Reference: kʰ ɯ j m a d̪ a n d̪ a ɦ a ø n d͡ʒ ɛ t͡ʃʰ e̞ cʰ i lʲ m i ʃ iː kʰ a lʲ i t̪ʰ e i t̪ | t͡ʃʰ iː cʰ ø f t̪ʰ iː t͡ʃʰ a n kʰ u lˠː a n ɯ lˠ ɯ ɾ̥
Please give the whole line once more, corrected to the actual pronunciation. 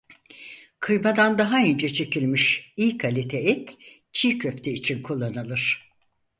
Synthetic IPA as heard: kʰ ɯ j m a d̪ a n d̪ a ɦ a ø n d͡ʒ ɛ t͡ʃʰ e̞ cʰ i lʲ m i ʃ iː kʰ a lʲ i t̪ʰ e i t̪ | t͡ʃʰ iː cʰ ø f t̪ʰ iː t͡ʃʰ i n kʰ u lˠː a n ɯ lˠ ɯ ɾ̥